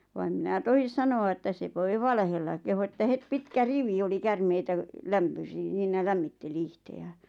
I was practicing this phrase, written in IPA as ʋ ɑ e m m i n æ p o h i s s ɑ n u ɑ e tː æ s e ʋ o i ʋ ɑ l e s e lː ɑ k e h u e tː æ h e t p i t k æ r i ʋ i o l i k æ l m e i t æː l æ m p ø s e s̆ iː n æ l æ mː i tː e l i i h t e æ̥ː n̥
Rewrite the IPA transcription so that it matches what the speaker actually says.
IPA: ʋ ɑ e m m i n æ t o h i s s ɑ n o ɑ e tː æ s e ʋ o i ʋ ɑ l e h e lː ɑ k e h u e tː æ h e t p i t k æ r i ʋ i o l i k æ r m e i t æ l æ m p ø s i s̆ iː n æ l æ mː i tː e l i i h t e æ̥ː n̥